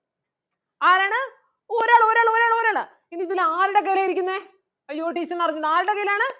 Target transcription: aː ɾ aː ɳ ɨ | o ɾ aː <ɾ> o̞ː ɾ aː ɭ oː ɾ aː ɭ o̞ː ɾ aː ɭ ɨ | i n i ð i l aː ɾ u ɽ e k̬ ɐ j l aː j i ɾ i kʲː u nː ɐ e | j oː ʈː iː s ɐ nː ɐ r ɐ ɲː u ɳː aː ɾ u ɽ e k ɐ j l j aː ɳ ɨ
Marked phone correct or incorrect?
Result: incorrect